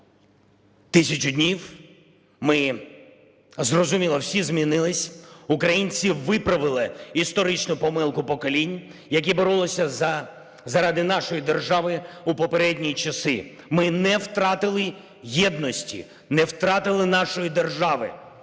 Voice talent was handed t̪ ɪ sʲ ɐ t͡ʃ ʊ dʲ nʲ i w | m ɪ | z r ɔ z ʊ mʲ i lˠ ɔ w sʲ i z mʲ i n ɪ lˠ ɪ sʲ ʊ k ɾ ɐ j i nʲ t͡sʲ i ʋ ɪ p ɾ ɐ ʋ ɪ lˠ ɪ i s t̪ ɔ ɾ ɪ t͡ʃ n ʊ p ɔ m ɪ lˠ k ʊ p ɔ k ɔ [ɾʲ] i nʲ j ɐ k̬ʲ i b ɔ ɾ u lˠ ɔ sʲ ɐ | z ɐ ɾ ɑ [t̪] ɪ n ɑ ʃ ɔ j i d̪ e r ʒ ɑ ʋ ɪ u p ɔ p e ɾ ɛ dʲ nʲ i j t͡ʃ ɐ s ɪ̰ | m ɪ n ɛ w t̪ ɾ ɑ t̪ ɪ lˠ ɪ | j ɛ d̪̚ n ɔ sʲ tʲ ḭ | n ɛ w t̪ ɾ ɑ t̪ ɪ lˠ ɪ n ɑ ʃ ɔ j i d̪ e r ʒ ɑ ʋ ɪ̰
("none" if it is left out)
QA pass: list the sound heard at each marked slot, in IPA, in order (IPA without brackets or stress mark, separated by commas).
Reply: lʲ, d̪